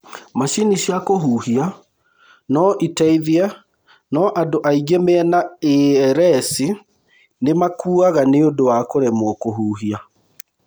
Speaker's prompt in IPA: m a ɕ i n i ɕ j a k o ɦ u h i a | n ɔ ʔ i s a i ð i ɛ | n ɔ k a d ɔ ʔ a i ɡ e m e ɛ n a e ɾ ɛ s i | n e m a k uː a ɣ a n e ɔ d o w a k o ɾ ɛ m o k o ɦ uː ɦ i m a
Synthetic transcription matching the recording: m a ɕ i n i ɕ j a k o ɦ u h i a | n ɔ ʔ i t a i ð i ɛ | n ɔ ʔ a d o ʔ a i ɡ e m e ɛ n a e ɾ ɛ s i | n e m a k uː a ɣ a n e o d o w a k o ɾ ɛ m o k o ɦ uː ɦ i a